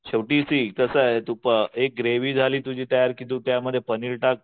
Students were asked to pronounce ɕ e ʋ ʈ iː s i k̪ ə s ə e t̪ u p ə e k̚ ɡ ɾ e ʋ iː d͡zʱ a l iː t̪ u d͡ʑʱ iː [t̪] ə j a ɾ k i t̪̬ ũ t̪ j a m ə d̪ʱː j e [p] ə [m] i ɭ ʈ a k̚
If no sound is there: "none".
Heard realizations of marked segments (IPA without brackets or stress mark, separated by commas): t̪, p, n